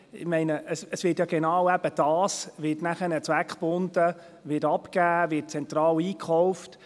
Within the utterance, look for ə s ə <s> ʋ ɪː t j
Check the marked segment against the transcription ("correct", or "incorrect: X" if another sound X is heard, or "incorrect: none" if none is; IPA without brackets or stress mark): correct